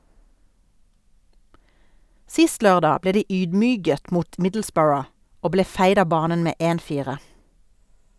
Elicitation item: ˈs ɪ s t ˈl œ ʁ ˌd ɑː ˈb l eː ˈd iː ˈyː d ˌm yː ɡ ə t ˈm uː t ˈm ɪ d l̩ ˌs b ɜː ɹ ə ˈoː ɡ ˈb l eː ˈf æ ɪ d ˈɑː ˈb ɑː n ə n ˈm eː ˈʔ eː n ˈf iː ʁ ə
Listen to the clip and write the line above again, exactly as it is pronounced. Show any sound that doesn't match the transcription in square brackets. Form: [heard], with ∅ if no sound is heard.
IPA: ˈs ɪ s t ˈl œ ʁ ˌd ɑː ˈb l eː ˈd iː ˈyː d ˌm yː ɡ ə t ˈm uː t ˈm ɪ d l̩ ˌs b ɜː ɹ ə ˈoː [∅] ˈb l eː ˈf æ ɪ d ˈɑː ˈb ɑː n ə n ˈm eː ˈʔ eː n ˈf iː ʁ ə

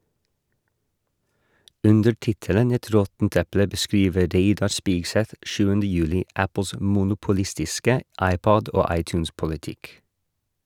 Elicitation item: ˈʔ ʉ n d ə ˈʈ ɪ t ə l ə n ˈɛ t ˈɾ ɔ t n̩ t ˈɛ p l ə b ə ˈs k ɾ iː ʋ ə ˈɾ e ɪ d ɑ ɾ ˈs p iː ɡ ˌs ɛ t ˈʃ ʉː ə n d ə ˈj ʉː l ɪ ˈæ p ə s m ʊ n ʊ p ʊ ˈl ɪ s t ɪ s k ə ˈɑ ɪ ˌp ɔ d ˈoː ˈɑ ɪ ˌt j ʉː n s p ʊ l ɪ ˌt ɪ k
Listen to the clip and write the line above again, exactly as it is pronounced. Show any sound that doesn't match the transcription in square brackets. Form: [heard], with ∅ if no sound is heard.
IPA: ˈʔ ʉ n d ə ˈʈ ɪ t ə l ə n ˈɛ t ˈɾ ɔ t n̩ t ˈɛ p l ə b ə ˈs k ɾ iː ʋ ə ˈɾ e ɪ d ɑ ɾ ˈs p iː ɡ ˌs ɛ t ˈʃ ʉː ə n d ə ˈj ʉː l ɪ ˈæ p ə s m ʊ n ʊ p ʊ ˈl ɪ s t ɪ s k ə ˈɑ ɪ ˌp ɔ d ˈoː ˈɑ ɪ ˌt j ʉː n s p ʊ l ɪ ˌt ɪ k

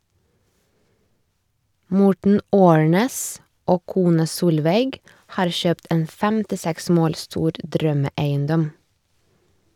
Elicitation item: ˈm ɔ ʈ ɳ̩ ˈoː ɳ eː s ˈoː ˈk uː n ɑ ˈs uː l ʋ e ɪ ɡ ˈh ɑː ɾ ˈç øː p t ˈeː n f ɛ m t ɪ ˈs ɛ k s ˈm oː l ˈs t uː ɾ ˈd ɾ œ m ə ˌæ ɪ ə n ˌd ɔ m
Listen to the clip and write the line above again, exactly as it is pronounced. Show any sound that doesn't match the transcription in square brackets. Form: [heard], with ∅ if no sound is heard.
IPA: ˈm ɔ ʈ ɳ̩ ˈoː ɳ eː s ˈoː ˈk uː n ɑ ˈs uː l ʋ e ɪ ɡ ˈh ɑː ɾ ˈç øː p t ˈeː n f ɛ m t ɪ ˈs ɛ k s ˈm oː l ˈs t uː ɾ ˈd ɾ œ m ə ˌæ ɪ ə n ˌd ɔ m

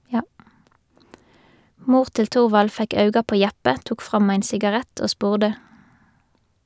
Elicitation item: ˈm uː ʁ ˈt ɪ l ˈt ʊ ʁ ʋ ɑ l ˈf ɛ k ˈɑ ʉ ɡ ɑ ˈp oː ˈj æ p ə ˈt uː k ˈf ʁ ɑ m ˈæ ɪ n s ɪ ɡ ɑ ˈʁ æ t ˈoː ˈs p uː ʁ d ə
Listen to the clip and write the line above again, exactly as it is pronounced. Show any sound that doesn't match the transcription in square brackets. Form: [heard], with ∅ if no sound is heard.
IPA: ˈm uː ʁ ˈt ɪ l ˈt ʊ ʁ ʋ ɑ l ˈf ɛ k ˈɑ ʉ ɡ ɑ ˈp oː ˈj æ p ə ˈt uː k ˈf ʁ ɑ m ˈæ ɪ n s ɪ ɡ ɑ ˈʁ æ t ˈoː ˈs p uː ʁ d ə

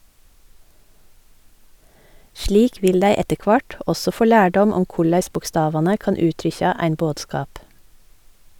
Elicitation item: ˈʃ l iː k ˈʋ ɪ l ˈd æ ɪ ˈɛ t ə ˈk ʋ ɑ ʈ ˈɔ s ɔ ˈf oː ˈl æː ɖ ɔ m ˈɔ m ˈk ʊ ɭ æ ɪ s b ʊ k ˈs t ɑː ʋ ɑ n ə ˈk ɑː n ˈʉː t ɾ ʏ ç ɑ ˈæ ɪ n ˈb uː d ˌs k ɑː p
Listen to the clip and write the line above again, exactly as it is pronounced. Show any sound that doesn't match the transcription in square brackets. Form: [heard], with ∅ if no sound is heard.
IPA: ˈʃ l iː k ˈʋ ɪ l ˈd æ ɪ ˈɛ t ə ˈk ʋ ɑ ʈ ˈɔ s ɔ ˈf oː ˈl æː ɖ ɔ m ˈɔ m ˈk ʊ ɭ æ ɪ s b ʊ k ˈs t ɑː ʋ ɑ n ə ˈk ɑː n ˈʉː t ɾ ʏ ç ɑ ˈæ ɪ n ˈb [oː] d ˌs k ɑː p

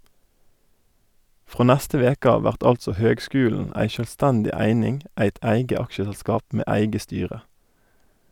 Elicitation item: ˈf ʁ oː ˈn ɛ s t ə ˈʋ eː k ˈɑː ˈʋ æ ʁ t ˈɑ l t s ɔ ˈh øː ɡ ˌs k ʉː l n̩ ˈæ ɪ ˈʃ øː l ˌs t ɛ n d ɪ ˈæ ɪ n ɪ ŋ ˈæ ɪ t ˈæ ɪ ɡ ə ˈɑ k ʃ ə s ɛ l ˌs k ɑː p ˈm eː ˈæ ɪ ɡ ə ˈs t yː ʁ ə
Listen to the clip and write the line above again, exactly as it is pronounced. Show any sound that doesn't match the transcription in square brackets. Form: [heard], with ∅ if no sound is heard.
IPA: ˈf ʁ oː ˈn [æ] s t ə ˈʋ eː k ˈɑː ˈʋ æ ʁ t ˈɑ l t s ɔ ˈh øː ɡ ˌs k ʉː l n̩ ˈæ ɪ ˈʃ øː l ˌs t ɛ n d ɪ ˈæ ɪ n ɪ ŋ ˈæ ɪ t ˈæ ɪ ɡ ə ˈɑ k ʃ ə s ɛ l ˌs k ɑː p ˈm eː ˈæ ɪ ɡ ə ˈs t yː ʁ ə

